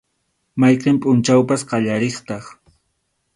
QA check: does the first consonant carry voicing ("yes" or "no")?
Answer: yes